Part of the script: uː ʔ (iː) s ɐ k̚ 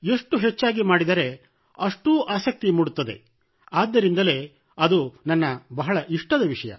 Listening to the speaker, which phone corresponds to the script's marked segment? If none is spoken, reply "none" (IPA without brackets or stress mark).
aː